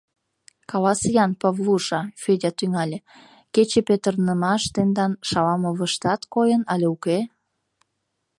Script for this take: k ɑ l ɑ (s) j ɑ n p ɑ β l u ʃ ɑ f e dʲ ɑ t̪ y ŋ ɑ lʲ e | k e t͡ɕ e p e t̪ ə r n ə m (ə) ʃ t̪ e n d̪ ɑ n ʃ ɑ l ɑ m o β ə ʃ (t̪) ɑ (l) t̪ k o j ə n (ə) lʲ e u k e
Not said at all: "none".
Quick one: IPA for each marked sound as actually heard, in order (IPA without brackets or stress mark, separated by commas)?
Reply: s, ɑ, t̪, none, ɑ